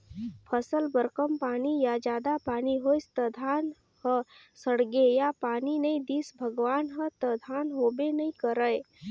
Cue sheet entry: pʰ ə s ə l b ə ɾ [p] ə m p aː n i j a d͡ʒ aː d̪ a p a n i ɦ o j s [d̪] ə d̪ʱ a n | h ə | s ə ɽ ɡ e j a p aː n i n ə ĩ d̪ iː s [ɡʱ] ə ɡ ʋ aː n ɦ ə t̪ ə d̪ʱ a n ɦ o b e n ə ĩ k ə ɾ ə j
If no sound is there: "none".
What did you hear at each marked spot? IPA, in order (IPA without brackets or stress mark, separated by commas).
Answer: k, t̪, bʱ